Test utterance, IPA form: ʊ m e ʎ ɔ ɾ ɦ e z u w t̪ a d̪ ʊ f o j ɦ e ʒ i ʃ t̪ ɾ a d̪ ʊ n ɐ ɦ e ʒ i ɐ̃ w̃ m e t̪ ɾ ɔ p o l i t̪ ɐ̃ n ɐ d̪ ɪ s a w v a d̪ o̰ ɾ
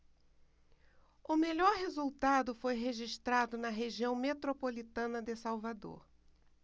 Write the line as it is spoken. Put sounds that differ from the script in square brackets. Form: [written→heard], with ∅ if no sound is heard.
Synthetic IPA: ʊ m e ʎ ɔ ɾ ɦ e z u w t̪ a d̪ ʊ f o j ɦ e ʒ i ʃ t̪ ɾ a d̪ ʊ n ɐ ɦ e ʒ i ɐ̃ w̃ m e t̪ ɾ [ɔ→o] p o l i t̪ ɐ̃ n ɐ d̪ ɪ s a w v a d̪ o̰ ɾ